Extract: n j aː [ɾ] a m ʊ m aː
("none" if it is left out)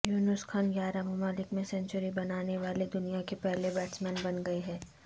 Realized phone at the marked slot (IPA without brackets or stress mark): ɾ